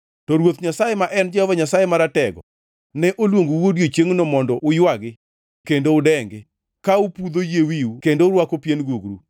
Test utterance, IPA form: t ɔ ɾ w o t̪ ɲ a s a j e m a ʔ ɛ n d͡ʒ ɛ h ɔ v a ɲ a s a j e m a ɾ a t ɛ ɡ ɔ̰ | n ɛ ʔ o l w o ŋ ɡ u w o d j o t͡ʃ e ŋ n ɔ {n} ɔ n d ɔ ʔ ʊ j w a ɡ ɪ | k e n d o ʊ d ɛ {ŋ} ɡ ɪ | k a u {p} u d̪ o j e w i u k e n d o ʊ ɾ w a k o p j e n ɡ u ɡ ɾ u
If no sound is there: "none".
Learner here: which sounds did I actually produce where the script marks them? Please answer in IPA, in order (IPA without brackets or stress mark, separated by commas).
m, ŋ, p